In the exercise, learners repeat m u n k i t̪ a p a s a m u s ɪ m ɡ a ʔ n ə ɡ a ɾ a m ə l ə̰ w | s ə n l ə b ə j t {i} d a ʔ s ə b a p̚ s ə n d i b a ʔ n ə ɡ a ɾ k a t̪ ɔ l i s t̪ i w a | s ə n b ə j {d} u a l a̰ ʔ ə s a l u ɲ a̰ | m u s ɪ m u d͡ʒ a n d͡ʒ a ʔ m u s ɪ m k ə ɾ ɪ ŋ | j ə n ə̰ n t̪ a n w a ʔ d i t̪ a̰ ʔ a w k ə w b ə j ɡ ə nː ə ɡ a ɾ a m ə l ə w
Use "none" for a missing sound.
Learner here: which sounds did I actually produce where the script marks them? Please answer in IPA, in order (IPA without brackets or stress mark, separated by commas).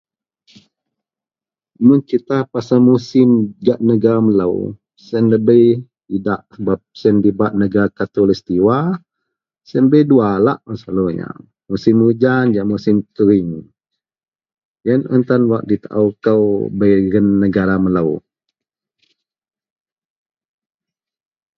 i, d